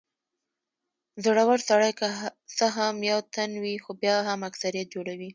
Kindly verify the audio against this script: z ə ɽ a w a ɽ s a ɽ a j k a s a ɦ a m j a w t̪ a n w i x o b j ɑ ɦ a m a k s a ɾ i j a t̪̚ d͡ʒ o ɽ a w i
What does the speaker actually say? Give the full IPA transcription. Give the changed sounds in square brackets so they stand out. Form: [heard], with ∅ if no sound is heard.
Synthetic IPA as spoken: z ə ɽ a w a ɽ s a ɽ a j k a s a ɦ a m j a w t̪ a n w i x o b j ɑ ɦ a m a k s a ɾ i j a t̪̚ d͡ʒ o ɽ a w i